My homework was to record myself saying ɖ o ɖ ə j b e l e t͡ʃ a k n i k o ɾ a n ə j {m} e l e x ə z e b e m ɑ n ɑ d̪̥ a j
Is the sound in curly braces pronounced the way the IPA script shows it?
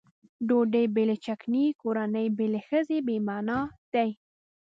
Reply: no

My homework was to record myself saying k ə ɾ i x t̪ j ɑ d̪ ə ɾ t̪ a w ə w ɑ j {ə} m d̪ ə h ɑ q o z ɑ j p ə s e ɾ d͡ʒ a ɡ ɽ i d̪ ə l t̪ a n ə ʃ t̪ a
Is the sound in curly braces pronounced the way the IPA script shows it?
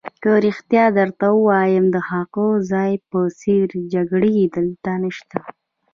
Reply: yes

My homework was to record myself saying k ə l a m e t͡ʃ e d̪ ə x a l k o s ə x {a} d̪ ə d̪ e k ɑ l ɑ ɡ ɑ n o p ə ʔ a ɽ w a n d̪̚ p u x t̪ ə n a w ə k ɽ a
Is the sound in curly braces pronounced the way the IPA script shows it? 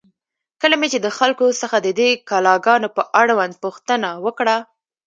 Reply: yes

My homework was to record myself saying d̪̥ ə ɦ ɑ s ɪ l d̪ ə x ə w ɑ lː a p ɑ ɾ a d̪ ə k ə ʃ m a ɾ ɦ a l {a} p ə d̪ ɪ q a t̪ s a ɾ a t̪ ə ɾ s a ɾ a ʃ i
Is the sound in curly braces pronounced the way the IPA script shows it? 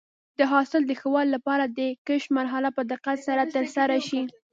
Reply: yes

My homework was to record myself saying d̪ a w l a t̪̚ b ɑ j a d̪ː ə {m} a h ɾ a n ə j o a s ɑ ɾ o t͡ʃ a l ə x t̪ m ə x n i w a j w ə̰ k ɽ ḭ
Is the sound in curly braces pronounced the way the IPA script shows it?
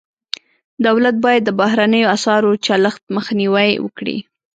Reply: no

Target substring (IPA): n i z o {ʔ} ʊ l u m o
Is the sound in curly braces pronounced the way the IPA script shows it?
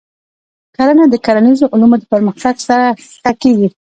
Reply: yes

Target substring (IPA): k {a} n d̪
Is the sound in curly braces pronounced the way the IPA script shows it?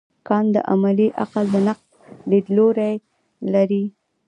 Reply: no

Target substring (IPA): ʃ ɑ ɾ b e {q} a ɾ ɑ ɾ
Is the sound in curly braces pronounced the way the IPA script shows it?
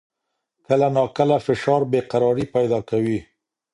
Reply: yes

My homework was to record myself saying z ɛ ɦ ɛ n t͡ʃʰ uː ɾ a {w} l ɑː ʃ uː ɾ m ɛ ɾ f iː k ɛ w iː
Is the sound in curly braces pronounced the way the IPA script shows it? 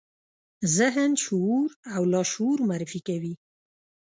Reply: yes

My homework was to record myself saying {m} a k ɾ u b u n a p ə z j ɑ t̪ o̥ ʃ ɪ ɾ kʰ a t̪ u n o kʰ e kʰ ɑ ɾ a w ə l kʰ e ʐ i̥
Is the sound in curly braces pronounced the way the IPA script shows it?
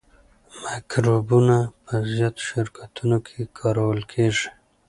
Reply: yes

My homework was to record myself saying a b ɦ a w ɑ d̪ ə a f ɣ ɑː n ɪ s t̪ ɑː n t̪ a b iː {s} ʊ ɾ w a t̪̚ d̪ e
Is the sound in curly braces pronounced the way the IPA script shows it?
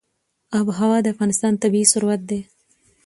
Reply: yes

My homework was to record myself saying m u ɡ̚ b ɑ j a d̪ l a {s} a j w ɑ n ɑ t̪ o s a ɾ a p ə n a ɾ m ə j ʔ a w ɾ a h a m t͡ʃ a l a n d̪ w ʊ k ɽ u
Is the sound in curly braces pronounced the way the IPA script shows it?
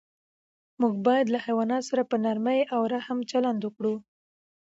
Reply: no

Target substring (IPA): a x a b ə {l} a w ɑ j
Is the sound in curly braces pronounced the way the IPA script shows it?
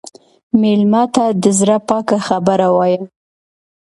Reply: no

